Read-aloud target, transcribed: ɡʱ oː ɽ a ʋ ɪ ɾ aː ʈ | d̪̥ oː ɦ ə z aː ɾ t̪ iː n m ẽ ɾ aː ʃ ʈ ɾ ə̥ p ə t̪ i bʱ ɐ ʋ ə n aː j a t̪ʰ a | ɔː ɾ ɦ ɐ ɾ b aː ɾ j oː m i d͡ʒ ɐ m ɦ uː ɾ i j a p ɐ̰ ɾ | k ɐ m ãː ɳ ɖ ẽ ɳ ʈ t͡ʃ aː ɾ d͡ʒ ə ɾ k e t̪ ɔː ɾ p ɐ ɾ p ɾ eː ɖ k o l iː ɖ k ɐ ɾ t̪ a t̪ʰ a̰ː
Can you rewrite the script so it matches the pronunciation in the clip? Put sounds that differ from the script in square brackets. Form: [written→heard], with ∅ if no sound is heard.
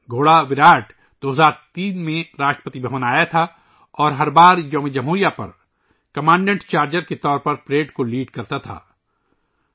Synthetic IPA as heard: ɡʱ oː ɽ a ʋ ɪ ɾ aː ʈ | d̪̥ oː ɦ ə z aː ɾ t̪ iː n m ẽ ɾ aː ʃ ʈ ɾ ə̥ p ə t̪ i bʱ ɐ ʋ ə n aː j a t̪ʰ a | ɔː ɾ ɦ ɐ ɾ b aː ɾ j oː m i d͡ʒ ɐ m ɦ uː ɾ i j a p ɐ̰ ɾ | k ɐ m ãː ɳ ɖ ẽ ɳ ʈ t͡ʃ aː ɾ d͡ʒ ə ɾ k e t̪ ɔː ɾ p ɐ ɾ p ɾ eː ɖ k o l iː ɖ k ɐ ɾ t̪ a t̪ʰ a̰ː

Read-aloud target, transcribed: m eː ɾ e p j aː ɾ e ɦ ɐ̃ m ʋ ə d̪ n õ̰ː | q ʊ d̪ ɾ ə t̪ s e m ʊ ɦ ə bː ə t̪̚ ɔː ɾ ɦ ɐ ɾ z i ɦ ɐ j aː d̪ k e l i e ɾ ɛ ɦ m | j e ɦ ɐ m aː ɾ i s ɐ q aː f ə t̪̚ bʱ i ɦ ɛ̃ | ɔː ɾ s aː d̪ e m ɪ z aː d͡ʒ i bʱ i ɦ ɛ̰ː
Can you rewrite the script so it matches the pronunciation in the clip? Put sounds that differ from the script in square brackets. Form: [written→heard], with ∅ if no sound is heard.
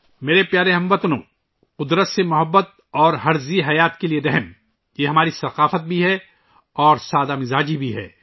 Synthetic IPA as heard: m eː ɾ e p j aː ɾ e ɦ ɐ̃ m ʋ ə [d̪→t̪] n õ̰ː | q ʊ d̪ ɾ ə t̪ s e m ʊ ɦ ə bː ə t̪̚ ɔː ɾ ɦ ɐ ɾ z i ɦ ɐ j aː [d̪→t̪] k e l i e ɾ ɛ ɦ m | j e ɦ ɐ m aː ɾ i s ɐ q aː f ə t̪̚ bʱ i ɦ [ɛ̃→ɛ] | ɔː ɾ s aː d̪ [e→a] m ɪ z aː d͡ʒ i bʱ i ɦ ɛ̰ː

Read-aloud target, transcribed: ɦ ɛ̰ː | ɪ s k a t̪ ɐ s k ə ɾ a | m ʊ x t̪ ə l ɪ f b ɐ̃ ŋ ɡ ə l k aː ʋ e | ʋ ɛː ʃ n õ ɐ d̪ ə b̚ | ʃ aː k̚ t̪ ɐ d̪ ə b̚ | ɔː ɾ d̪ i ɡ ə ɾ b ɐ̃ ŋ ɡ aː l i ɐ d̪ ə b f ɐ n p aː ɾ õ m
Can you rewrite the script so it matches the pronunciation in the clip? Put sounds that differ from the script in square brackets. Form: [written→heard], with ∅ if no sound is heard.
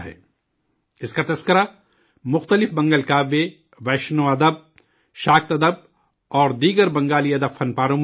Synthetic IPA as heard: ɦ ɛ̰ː | ɪ s k a t̪ ɐ s k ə ɾ a | m ʊ x t̪ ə l ɪ f b ɐ̃ ŋ ɡ ə l k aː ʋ e | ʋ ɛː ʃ n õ ɐ d̪ ə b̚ | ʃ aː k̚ t̪ ɐ d̪ ə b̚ | ɔː ɾ d̪ [i→iː] ɡ ə ɾ b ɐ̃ ŋ ɡ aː l i ɐ d̪ ə b f ɐ n p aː ɾ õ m

